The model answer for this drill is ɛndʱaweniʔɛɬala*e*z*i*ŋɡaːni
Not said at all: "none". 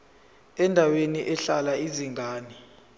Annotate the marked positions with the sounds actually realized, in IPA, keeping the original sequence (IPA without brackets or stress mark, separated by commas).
i, i